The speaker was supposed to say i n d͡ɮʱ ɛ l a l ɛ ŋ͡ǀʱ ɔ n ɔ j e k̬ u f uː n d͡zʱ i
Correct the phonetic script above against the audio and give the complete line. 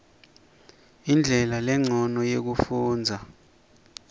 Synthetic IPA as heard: i n d͡ɮʱ ɛ l a l ɛ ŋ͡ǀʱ ɔ n ɔ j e k̬ u f uː n d͡zʱ a